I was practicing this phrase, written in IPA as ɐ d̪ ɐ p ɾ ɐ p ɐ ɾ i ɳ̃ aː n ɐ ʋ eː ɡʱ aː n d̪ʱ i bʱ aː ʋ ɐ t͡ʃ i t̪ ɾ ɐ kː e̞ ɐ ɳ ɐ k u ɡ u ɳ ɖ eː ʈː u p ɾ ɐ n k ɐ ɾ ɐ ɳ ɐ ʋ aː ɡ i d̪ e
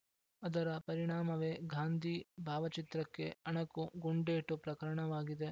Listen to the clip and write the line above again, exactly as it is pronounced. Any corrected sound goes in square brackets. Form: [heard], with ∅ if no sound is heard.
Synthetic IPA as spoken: ɐ d̪ ɐ [∅] ɾ ɐ p ɐ ɾ i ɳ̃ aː [m] ɐ ʋ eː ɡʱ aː n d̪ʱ i bʱ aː ʋ ɐ t͡ʃ i t̪ ɾ ɐ kː e̞ ɐ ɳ ɐ k u ɡ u ɳ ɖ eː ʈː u p ɾ ɐ [∅] k ɐ ɾ ɐ ɳ ɐ ʋ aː ɡ i d̪ e